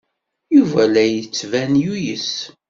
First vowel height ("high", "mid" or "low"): high